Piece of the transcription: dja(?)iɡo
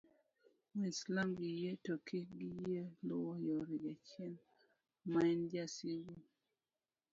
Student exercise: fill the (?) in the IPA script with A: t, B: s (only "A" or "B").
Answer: B